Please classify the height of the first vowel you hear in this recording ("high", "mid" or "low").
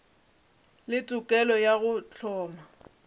high